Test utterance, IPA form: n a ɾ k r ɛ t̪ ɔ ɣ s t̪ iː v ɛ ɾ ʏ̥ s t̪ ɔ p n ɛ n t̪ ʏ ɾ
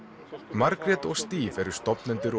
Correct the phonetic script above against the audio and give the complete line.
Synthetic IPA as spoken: m a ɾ k ɾ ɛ t̪ ɔ ɣ s t̪ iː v ɛ ɾ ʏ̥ s t̪ ɔ p n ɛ n t̪ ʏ ɾ